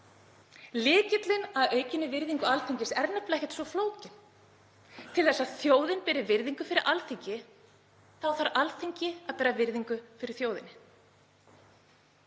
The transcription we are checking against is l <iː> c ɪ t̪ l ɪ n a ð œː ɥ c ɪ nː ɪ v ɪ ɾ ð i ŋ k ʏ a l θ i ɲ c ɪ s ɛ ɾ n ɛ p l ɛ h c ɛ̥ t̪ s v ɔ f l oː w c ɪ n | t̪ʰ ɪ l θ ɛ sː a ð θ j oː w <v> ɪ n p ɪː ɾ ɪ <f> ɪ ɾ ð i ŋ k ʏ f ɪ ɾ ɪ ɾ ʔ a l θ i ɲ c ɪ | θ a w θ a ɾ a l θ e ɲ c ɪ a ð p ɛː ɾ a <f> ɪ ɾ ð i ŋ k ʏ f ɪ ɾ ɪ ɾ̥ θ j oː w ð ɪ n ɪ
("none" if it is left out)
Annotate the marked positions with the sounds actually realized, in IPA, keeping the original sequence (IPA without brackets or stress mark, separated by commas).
ɪː, ð, v, v